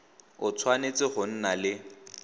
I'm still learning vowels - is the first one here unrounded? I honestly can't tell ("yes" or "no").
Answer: no